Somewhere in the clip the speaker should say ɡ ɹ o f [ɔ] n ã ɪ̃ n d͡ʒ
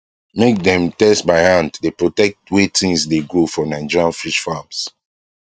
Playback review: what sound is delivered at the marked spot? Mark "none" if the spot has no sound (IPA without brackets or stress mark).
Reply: ɔ